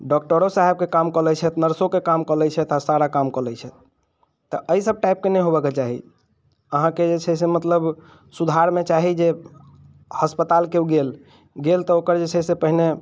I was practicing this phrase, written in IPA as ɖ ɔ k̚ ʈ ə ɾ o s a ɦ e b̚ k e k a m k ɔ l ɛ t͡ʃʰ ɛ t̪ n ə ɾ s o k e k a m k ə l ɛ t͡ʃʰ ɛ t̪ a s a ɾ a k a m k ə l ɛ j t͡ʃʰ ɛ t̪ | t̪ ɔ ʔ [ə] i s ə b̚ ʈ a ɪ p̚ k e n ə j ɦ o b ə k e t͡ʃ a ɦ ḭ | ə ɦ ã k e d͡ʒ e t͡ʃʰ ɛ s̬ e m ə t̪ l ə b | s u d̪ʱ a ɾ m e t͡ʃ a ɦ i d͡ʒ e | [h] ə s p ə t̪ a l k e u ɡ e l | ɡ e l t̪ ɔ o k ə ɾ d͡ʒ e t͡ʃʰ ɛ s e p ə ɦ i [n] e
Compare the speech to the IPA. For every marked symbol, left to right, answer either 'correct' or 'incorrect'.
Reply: correct, correct, correct

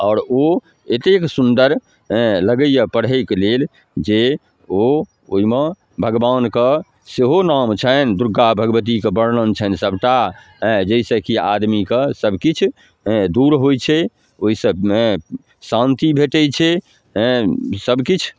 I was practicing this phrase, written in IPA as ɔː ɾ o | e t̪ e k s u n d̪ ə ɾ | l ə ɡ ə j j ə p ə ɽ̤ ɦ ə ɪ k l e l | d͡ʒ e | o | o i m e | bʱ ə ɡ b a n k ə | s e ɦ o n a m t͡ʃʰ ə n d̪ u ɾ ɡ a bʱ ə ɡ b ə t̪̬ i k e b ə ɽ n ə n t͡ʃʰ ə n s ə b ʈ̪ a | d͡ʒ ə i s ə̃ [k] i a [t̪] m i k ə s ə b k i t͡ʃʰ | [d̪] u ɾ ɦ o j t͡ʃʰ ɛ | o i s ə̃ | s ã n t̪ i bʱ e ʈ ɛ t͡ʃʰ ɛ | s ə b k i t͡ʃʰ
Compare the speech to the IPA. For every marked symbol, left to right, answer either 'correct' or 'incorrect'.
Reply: correct, incorrect, correct

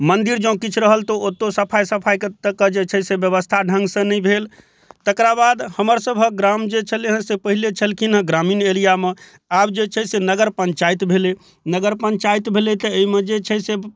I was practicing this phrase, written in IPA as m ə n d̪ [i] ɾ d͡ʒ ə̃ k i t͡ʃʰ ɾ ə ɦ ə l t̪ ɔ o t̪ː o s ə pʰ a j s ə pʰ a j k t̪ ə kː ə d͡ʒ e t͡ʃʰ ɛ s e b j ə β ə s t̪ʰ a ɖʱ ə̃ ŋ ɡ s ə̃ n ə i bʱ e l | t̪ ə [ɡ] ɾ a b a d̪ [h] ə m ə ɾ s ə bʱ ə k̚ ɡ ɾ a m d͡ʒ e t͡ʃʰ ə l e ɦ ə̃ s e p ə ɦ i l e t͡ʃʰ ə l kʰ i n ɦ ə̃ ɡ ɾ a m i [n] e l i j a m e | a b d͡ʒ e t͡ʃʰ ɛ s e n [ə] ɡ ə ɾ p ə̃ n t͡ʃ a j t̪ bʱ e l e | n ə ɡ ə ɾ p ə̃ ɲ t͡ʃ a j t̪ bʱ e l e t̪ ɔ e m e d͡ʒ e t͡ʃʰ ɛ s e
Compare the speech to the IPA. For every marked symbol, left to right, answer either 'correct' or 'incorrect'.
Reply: correct, incorrect, correct, correct, correct

